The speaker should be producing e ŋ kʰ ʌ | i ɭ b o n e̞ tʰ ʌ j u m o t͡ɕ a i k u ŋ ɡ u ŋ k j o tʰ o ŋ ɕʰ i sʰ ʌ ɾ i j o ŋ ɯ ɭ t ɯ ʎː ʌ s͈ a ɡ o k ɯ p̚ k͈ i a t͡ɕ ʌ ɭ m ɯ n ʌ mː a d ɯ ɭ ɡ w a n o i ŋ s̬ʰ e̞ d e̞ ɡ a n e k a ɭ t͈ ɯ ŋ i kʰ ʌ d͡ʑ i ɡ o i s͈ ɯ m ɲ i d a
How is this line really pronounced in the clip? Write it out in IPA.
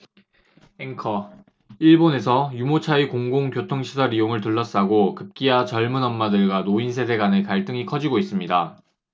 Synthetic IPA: e ŋ kʰ ʌ | i ɭ b o n e̞ sʰ ʌ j u m o t͡ɕʰ a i k o ŋ ɡ o ŋ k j o tʰ o ŋ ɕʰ i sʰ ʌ ɾ i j o ŋ ɯ ɭ t ɯ ɭː ʌ s͈ a ɡ o k ɯ p̚ k͈ i a t͡ɕ ʌ ɭ m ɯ n ʌ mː a d ɯ ɭ ɡ w a n o i n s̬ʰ e̞ d e̞ ɡ a n e k a ɭ t͈ ɯ ŋ i kʰ ʌ d͡ʑ i ɡ o i s͈ ɯ m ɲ i d a